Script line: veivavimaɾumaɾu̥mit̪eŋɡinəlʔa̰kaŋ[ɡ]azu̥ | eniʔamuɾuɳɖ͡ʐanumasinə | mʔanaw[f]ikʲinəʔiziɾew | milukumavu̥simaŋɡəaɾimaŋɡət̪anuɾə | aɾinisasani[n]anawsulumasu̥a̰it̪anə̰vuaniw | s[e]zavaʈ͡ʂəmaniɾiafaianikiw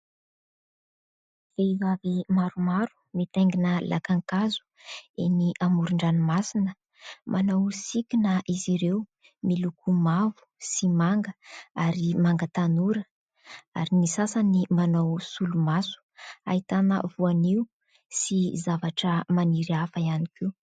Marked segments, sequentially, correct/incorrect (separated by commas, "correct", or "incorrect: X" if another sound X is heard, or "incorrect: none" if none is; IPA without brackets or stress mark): incorrect: k, incorrect: s, incorrect: m, incorrect: i